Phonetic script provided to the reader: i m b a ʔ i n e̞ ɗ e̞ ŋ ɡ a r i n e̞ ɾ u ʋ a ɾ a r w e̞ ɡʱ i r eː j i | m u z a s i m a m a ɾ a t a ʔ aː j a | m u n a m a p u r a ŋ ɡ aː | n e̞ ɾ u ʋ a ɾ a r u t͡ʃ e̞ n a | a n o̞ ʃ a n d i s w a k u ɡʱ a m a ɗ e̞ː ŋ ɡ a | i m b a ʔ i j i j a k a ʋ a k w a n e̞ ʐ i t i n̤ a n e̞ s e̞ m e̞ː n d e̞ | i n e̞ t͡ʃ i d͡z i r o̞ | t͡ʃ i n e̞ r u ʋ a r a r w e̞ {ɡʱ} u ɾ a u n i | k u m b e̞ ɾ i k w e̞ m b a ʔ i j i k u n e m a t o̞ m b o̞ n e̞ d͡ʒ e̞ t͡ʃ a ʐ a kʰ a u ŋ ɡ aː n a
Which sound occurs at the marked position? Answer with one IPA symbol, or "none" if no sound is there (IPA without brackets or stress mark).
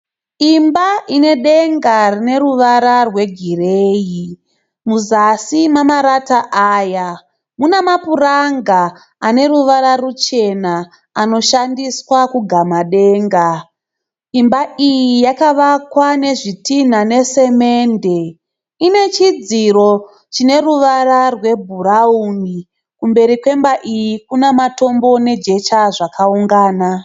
bʱ